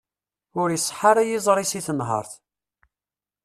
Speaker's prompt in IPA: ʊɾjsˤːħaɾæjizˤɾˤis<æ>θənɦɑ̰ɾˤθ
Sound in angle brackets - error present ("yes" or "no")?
yes